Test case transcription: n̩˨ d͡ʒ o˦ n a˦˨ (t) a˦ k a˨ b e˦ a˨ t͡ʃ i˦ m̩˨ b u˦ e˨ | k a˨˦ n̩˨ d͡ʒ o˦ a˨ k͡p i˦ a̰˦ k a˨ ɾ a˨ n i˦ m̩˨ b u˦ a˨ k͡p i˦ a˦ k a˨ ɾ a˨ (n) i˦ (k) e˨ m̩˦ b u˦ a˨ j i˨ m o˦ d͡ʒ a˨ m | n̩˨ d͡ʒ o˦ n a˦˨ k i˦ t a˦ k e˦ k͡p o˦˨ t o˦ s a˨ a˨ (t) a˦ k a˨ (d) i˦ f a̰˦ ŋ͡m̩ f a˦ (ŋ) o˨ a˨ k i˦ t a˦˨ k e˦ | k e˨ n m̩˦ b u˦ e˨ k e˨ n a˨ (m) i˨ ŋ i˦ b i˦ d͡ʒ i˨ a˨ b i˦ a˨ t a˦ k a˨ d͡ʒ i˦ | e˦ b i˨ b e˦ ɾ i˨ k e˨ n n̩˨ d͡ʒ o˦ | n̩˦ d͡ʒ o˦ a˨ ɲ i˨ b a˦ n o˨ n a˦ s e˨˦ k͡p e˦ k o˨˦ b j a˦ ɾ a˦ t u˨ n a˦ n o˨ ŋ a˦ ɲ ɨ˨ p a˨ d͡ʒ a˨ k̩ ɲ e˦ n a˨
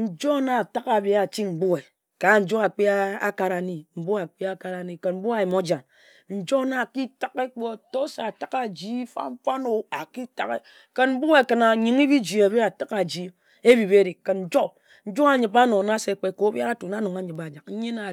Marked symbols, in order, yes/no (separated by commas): yes, yes, yes, yes, no, no, no